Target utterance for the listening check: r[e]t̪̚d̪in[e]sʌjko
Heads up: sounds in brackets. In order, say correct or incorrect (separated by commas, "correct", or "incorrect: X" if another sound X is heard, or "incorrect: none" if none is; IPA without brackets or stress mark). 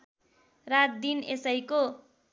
incorrect: a, correct